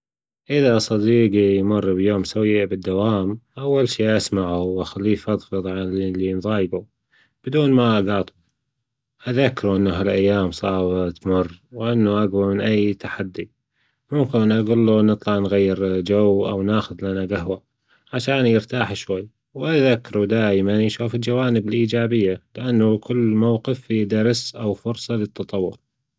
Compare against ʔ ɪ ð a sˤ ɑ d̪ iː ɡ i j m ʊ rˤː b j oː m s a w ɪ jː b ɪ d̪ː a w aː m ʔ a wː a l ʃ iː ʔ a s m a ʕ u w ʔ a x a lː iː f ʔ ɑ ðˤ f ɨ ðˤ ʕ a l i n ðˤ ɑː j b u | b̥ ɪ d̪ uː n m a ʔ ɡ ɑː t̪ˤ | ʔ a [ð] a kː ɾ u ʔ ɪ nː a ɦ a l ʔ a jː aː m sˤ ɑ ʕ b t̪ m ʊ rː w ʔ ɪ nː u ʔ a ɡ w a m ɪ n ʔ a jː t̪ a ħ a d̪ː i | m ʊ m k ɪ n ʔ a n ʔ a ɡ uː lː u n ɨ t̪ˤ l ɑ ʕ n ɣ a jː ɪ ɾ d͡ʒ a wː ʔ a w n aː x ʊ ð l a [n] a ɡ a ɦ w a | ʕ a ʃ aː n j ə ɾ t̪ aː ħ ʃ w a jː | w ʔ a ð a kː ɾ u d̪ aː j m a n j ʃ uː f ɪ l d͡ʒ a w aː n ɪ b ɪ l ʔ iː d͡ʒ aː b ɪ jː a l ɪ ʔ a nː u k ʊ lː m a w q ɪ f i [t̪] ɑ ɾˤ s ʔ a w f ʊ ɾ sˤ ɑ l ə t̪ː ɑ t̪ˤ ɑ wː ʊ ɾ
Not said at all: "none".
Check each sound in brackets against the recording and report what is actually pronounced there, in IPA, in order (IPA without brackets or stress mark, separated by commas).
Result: ð, n, d̪